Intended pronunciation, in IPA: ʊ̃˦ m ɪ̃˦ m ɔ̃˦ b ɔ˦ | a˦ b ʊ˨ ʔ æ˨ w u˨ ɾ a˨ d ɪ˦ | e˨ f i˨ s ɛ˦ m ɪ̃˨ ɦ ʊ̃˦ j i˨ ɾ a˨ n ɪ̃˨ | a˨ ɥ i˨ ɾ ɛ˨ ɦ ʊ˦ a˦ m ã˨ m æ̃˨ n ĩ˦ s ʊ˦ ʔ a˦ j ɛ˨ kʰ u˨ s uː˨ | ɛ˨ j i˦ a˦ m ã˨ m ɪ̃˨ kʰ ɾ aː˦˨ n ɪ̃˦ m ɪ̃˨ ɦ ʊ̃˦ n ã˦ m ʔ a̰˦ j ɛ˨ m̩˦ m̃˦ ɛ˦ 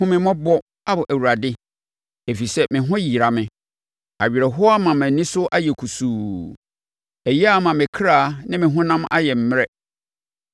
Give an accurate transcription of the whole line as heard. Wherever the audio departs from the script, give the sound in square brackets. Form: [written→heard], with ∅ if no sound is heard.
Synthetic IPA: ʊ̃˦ m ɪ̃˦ m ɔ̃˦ b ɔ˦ | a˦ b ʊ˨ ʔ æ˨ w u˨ ɾ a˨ d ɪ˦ | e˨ f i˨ s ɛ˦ m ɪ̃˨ ɦ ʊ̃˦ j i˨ ɾ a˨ [n→m] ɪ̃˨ | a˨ ɥ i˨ ɾ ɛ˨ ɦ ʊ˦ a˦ m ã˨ m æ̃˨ n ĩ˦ s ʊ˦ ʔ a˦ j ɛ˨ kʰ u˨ s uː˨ | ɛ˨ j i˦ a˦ m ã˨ m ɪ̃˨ kʰ ɾ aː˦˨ n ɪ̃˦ m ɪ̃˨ ɦ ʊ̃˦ n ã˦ m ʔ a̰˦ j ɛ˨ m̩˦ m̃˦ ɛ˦